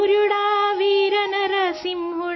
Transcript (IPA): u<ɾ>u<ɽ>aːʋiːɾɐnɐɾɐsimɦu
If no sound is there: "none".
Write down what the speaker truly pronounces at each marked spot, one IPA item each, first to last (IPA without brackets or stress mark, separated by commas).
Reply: ɾ, ɽ